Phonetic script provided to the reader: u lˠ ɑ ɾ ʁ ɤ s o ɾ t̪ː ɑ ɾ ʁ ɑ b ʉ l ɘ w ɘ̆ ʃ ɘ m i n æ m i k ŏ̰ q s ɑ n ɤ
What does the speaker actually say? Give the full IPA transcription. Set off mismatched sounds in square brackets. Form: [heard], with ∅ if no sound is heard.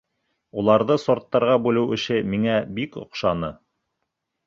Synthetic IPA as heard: u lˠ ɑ ɾ [ð] ɤ s o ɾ t̪ː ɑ ɾ ʁ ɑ b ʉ l ɘ w ɘ̆ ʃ ɘ m i [ŋ] æ [b] i k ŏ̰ q [ʃ] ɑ n ɤ